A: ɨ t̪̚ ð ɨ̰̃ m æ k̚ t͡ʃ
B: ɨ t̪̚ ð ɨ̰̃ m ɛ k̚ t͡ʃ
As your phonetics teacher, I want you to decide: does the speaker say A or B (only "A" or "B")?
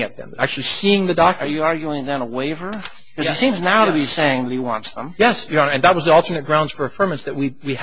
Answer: A